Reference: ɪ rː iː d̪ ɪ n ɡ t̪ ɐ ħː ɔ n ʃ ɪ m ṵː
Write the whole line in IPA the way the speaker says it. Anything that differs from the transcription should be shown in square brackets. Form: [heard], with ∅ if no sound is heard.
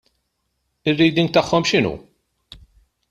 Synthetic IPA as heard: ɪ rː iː d̪ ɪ [ŋ] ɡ t̪ ɐ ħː ɔ [m] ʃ ɪ [n] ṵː

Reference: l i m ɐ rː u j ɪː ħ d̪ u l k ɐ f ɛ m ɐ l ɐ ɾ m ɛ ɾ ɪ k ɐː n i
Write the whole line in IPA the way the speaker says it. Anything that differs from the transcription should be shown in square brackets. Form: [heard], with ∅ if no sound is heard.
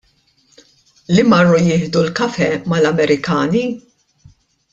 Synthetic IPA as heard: l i m ɐ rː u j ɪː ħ d̪ u l k ɐ f ɛ m ɐ l ɐ [∅] m ɛ ɾ ɪ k ɐː n i

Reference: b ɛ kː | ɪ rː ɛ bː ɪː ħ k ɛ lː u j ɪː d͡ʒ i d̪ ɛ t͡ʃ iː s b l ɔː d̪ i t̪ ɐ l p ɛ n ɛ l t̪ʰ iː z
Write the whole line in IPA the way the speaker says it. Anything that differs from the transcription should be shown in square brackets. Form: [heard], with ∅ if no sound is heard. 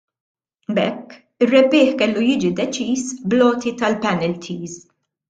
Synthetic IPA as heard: b ɛ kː | ɪ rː ɛ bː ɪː ħ k ɛ lː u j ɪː d͡ʒ i d̪ ɛ t͡ʃ iː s b l ɔː [t̪] i t̪ ɐ l p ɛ n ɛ l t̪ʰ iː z

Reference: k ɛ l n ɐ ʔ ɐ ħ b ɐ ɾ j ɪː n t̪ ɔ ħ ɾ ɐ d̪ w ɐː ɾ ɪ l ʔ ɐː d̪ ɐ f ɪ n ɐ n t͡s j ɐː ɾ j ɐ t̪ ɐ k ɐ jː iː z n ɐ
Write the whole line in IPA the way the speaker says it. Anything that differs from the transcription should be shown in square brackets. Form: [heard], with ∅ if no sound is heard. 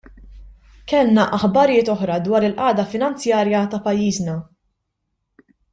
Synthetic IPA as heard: k ɛ l n ɐ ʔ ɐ ħ b ɐ ɾ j ɪː [∅] t̪ ɔ ħ ɾ ɐ d̪ w ɐː ɾ ɪ l ʔ ɐː d̪ ɐ f ɪ n ɐ n t͡s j ɐː ɾ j ɐ t̪ ɐ [p] ɐ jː iː z n ɐ

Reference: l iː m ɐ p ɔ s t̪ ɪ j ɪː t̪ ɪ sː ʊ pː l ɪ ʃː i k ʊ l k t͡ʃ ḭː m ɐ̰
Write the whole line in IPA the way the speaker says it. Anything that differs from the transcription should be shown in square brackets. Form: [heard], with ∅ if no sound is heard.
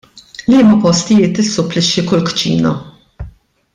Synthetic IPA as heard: l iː m ɐ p ɔ s t̪ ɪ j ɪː t̪ ɪ sː ʊ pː l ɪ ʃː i k ʊ l k t͡ʃ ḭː [n] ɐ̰

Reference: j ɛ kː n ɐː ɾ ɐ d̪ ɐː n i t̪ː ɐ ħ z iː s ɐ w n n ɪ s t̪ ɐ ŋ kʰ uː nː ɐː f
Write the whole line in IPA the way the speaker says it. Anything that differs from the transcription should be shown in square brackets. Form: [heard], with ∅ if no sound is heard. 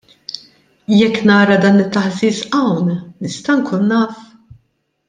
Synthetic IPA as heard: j ɛ kː n ɐː ɾ ɐ d̪ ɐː n [ɪ] t̪ː ɐ ħ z iː s ɐ w n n ɪ s t̪ ɐ ŋ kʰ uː nː ɐː f

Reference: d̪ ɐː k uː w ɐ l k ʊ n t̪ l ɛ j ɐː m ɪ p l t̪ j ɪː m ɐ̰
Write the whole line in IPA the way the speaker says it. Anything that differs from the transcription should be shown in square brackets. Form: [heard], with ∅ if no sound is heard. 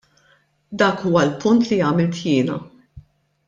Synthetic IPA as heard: d̪ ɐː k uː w ɐ l [p] ʊ n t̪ l [i] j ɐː m ɪ [∅] l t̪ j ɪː [n] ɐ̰

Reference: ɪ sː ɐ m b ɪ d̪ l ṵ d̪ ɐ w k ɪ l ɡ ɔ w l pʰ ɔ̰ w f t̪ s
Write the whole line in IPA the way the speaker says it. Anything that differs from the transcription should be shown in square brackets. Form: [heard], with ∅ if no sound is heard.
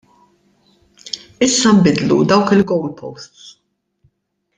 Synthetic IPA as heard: ɪ sː ɐ m b ɪ d̪ l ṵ d̪ ɐ w k ɪ l ɡ ɔ w l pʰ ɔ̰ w [s] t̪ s

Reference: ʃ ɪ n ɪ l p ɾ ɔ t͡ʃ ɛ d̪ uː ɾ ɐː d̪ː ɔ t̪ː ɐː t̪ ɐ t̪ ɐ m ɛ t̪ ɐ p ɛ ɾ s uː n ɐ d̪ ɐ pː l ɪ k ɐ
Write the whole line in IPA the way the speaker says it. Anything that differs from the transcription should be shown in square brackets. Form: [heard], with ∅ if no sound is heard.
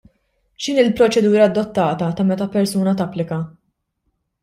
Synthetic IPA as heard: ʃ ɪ n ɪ l p ɾ ɔ t͡ʃ ɛ d̪ uː ɾ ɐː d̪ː ɔ t̪ː ɐː t̪ ɐ t̪ ɐ m ɛ t̪ ɐ p ɛ ɾ s uː n ɐ [t̪] ɐ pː l ɪ k ɐ

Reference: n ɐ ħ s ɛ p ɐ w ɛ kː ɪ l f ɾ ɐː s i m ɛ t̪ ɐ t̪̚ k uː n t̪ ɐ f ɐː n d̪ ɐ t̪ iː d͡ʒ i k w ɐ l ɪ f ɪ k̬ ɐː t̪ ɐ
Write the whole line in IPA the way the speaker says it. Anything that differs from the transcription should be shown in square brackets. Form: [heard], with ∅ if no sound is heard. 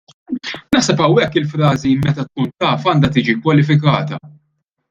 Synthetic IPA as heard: n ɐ ħ s ɛ p ɐ w ɛ kː ɪ l f ɾ ɐː [z] i m ɛ t̪ ɐ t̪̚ k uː n t̪ [ɐː] f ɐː n d̪ ɐ t̪ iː d͡ʒ i k w ɐ l ɪ f ɪ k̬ ɐː t̪ ɐ

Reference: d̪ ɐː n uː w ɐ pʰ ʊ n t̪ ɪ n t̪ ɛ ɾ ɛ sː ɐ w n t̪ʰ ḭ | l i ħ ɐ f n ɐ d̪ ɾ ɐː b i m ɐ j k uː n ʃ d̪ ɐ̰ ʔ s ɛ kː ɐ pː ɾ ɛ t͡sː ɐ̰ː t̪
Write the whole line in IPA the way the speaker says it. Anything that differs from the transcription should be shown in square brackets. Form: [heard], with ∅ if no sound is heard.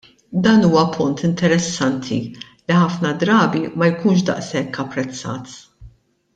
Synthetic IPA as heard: d̪ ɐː n uː w ɐ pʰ ʊ n t̪ ɪ n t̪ ɛ ɾ ɛ sː ɐ [∅] n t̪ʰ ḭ | l i ħ ɐ f n ɐ d̪ ɾ ɐː b i m ɐ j k uː n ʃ d̪ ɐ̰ ʔ s ɛ kː ɐ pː ɾ ɛ t͡sː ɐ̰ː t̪

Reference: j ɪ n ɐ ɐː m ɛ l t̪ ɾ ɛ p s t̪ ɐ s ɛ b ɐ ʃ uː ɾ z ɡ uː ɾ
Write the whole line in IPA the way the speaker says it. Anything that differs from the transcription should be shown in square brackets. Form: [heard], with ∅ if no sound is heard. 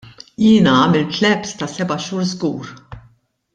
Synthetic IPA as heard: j [ɪː] n ɐ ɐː m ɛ l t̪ [l] ɛ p s t̪ ɐ s ɛ b ɐ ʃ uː ɾ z ɡ uː ɾ

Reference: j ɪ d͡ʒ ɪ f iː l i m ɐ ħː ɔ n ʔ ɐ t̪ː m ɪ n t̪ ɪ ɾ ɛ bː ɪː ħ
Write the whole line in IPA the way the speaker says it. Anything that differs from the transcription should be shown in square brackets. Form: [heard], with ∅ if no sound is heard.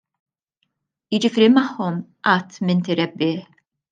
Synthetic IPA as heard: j ɪ d͡ʒ ɪ f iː [ɾ] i m ɐ ħː ɔ [m] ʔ ɐ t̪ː m ɪ n t̪ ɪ ɾ ɛ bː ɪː ħ

